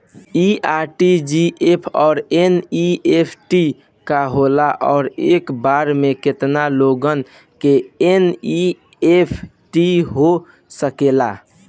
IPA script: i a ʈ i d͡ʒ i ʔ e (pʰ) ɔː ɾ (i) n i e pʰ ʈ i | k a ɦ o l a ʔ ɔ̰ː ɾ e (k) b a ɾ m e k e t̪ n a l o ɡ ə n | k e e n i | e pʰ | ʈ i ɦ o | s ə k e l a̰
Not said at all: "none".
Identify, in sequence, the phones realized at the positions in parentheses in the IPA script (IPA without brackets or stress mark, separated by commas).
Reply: pʰ, e, k